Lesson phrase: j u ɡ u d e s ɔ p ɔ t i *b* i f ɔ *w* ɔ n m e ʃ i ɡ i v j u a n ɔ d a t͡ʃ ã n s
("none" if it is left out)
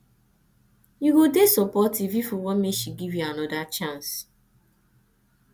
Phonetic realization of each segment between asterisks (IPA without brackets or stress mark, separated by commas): v, w